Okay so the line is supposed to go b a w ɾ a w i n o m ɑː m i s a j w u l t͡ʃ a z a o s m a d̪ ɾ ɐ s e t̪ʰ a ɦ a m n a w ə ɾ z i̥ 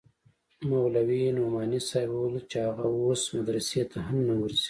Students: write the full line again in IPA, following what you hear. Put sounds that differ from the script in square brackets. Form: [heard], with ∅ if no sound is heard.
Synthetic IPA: [m] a w [l] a w i n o m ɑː [n] i s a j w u l t͡ʃ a [ɣ] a o s m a d̪ ɾ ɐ s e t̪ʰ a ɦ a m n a w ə ɾ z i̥